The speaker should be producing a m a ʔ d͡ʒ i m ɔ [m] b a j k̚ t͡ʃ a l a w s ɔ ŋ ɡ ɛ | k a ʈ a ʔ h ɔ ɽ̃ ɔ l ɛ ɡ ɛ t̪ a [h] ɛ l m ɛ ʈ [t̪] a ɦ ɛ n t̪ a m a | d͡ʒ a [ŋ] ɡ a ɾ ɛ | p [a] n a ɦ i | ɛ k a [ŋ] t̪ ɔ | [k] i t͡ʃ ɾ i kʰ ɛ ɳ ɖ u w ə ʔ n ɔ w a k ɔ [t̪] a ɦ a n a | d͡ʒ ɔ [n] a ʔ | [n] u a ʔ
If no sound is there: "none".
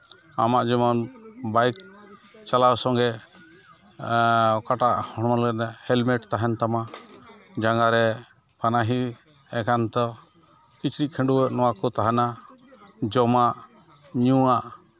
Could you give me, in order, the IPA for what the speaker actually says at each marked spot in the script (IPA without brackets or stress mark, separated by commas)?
n, h, t̪, ŋ, a, n, k, t̪, m, ɲ